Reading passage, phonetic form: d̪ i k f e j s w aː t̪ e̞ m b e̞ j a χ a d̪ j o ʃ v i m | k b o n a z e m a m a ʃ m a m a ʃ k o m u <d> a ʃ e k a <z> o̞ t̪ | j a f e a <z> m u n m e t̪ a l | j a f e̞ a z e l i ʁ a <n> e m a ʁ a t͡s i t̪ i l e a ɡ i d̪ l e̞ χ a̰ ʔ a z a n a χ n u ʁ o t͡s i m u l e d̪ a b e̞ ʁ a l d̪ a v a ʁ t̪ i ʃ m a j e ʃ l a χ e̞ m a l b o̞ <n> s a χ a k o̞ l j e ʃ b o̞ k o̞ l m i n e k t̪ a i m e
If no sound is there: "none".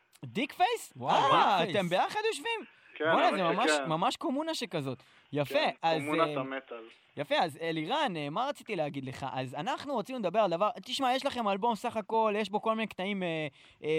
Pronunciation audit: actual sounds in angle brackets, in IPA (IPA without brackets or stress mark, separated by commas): n, z, z, n, m